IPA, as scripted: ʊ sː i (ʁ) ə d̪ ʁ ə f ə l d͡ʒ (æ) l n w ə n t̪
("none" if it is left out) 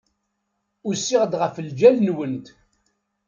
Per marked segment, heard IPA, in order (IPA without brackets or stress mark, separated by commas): ʁ, æ